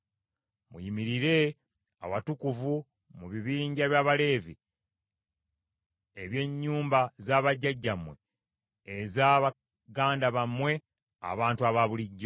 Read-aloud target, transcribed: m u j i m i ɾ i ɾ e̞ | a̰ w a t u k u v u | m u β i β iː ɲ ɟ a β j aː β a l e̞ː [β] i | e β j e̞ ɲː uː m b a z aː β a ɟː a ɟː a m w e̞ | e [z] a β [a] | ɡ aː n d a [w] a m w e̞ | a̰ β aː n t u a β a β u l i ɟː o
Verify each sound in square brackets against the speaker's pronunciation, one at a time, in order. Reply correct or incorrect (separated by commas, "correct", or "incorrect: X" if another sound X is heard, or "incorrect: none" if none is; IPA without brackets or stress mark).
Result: incorrect: v, correct, correct, incorrect: β